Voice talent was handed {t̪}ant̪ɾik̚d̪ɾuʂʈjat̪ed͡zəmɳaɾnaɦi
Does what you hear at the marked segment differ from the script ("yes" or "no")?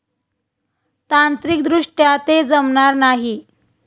no